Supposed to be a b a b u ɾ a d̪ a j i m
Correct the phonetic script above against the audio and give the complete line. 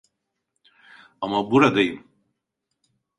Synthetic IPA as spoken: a m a b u ɾ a d̪ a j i m